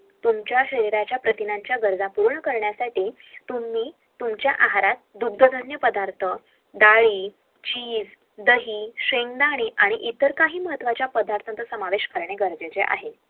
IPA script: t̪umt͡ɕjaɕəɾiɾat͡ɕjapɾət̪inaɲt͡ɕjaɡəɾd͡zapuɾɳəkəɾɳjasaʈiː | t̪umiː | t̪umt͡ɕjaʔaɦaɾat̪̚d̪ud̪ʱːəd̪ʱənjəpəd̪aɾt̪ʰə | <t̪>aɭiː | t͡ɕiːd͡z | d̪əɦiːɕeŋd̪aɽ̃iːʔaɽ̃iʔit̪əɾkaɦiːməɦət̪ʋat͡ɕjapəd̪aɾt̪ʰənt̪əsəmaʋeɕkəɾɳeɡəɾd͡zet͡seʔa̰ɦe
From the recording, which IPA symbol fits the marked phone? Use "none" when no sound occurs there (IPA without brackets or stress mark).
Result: d̪